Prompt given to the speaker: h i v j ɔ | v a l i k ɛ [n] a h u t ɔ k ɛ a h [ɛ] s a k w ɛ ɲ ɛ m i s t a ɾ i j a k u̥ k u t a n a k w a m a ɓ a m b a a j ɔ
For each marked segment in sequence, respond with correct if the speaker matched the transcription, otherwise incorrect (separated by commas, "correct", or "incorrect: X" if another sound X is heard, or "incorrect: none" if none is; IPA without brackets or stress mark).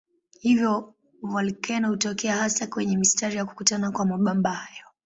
correct, incorrect: a